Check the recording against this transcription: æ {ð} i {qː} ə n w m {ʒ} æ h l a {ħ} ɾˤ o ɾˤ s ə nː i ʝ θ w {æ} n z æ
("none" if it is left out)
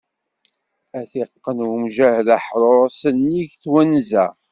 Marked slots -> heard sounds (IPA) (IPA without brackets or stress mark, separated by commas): θ, qː, ʒ, ħ, æ